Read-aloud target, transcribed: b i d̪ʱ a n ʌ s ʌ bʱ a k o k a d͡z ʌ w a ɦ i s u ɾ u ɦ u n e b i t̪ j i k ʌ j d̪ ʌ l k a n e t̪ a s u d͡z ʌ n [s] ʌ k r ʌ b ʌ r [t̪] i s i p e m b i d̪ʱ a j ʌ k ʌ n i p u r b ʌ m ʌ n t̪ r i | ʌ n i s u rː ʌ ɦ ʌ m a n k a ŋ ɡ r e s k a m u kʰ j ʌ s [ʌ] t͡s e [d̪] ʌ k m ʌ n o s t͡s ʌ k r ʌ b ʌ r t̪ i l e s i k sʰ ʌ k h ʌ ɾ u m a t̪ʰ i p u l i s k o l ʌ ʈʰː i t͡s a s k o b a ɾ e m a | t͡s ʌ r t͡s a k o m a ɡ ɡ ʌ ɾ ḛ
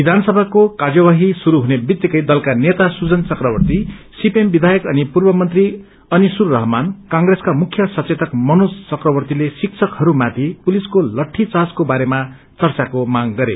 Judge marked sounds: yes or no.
no, yes, yes, no

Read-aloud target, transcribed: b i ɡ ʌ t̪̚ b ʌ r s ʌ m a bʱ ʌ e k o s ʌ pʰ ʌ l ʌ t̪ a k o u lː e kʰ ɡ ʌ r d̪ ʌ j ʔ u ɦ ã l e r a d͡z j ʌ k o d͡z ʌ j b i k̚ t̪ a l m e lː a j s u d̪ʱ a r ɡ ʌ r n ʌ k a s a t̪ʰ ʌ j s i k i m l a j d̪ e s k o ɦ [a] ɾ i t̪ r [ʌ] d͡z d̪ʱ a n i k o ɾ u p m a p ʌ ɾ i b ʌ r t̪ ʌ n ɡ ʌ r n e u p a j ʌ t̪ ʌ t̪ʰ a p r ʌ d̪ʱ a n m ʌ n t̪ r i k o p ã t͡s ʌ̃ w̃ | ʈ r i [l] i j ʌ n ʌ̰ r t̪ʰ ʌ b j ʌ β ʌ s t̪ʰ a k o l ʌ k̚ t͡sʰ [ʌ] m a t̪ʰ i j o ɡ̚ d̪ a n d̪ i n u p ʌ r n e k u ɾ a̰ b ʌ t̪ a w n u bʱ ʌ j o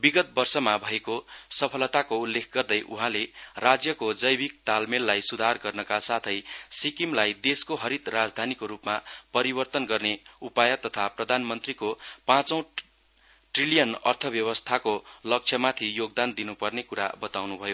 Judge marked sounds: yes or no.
no, no, yes, yes

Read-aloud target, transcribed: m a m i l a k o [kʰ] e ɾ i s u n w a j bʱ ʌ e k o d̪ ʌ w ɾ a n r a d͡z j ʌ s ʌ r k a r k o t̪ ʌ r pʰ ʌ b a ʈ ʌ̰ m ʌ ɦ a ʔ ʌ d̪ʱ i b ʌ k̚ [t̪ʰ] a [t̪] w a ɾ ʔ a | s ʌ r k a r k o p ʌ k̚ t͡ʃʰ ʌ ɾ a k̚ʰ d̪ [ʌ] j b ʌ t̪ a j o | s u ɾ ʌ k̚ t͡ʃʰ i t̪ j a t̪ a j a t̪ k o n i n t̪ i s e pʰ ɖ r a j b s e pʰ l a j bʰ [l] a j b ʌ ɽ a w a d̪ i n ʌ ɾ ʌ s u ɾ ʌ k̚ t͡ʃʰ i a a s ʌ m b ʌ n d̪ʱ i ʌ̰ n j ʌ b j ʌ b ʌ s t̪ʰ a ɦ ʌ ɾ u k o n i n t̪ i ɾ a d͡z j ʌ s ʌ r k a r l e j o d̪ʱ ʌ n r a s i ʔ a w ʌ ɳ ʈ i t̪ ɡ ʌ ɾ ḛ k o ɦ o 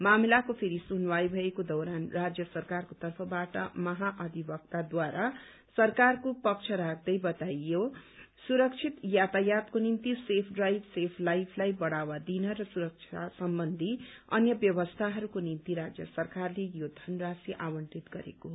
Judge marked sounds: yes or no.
no, no, no, yes, yes

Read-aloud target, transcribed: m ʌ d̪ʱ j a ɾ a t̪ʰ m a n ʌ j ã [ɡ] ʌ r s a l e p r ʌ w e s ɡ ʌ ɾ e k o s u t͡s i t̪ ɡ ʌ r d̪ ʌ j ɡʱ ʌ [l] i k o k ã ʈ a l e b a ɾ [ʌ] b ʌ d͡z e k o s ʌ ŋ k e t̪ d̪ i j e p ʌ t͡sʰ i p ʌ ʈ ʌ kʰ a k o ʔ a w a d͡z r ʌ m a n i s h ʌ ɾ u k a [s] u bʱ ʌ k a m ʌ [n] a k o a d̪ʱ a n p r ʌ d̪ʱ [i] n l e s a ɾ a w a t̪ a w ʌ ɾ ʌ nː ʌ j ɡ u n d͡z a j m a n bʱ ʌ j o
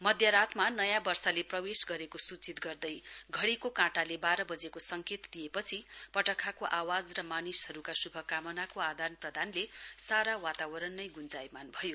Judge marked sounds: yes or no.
no, no, yes, yes, yes, no

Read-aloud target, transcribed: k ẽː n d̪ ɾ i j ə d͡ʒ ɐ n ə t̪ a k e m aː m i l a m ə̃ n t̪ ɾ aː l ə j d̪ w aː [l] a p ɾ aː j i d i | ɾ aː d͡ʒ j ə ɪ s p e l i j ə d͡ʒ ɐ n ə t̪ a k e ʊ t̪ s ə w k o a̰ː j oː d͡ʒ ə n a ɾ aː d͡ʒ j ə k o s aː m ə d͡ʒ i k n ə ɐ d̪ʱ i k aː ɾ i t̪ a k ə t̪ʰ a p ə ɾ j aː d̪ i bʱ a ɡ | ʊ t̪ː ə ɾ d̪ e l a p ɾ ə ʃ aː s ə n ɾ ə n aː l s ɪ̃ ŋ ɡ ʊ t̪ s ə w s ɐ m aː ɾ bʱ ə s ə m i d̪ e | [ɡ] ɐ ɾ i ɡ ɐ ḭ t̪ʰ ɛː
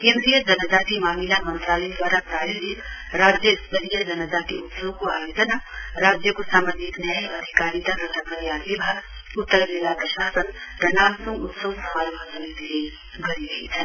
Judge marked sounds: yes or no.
no, yes

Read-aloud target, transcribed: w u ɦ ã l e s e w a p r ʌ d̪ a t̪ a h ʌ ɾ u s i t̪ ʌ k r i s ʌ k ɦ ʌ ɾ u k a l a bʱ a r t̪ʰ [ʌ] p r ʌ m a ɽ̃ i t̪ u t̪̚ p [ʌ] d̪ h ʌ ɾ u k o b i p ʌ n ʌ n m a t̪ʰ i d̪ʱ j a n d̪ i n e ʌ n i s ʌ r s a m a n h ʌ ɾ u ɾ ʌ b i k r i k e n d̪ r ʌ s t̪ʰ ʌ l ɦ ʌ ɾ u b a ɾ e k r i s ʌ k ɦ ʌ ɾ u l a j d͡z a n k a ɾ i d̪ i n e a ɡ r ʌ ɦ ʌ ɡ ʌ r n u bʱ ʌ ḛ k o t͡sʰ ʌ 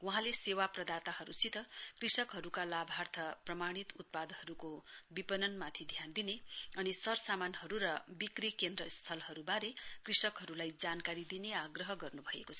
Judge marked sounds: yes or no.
yes, no

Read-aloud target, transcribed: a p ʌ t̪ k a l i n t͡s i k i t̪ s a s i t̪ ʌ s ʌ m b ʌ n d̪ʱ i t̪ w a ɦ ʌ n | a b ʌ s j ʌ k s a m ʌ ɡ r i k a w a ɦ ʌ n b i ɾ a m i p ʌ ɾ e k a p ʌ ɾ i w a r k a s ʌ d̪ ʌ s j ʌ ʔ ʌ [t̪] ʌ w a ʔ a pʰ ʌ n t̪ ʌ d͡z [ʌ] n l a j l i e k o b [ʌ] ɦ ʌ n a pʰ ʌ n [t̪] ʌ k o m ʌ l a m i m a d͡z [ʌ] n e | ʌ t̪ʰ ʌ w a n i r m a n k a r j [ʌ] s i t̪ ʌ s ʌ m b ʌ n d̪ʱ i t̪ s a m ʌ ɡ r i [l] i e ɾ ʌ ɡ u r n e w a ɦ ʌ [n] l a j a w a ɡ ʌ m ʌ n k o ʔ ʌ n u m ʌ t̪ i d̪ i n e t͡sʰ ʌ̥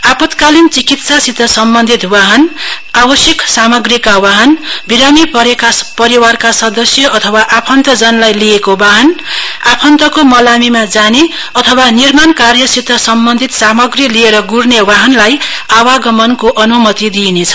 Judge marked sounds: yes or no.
no, yes, no, yes, no, yes, yes, yes

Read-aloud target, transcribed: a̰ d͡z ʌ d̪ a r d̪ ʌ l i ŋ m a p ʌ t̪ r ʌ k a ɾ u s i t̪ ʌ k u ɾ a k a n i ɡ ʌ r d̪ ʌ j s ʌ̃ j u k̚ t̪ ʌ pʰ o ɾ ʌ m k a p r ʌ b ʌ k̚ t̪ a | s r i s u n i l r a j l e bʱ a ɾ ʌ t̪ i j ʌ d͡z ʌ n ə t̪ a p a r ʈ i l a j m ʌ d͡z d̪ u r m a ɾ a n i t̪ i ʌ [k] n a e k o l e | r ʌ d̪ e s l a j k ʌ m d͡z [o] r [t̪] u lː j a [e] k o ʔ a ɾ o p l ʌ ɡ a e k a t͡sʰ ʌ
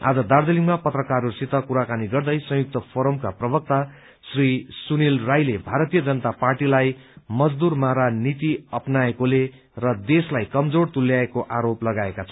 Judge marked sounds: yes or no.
no, yes, yes, yes

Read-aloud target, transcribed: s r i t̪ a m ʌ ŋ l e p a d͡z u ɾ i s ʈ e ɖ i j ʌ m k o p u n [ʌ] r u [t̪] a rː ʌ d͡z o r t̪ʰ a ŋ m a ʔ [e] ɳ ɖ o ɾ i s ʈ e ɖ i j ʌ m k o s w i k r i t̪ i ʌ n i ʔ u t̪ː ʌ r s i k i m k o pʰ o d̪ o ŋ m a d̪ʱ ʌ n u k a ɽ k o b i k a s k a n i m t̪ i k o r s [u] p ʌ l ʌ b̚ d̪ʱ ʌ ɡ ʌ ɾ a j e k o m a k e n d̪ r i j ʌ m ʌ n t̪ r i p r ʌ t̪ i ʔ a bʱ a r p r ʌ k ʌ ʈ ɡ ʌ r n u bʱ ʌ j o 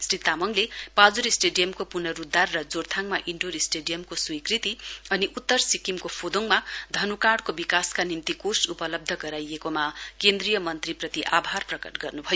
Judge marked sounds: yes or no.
yes, no, no, yes

